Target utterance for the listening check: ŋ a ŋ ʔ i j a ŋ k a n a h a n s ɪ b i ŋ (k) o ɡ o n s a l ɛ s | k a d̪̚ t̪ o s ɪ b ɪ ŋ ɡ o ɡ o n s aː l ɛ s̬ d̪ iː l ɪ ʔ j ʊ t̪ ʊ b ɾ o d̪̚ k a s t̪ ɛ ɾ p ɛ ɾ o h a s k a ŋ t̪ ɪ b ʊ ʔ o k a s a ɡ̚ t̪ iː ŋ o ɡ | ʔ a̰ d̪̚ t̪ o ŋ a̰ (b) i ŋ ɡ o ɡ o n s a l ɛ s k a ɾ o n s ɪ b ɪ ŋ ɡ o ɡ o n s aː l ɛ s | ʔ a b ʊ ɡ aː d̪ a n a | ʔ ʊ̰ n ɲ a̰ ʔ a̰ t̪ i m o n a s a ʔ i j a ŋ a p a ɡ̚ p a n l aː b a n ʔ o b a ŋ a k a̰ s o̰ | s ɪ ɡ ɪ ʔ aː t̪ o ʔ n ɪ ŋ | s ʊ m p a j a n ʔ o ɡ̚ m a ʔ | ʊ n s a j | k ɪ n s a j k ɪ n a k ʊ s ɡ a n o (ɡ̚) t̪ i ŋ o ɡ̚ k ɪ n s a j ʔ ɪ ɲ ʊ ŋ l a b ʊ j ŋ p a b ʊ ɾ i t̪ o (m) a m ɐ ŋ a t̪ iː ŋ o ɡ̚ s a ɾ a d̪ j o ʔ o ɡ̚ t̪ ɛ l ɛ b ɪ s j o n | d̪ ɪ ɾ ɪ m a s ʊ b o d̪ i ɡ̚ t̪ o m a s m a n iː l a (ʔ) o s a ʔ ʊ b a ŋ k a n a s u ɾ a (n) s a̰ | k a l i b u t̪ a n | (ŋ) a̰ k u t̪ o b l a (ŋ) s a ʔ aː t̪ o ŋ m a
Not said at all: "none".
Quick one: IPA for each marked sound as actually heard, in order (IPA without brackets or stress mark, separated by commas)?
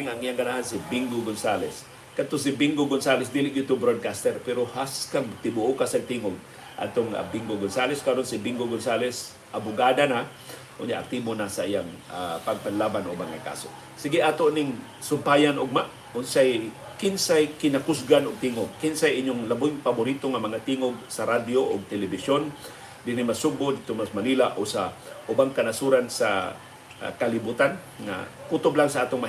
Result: ɡ, b, ɡ̚, ŋ, ʔ, n, ŋ, ŋ